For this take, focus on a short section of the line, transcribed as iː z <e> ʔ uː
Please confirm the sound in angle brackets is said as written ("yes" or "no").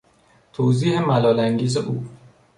yes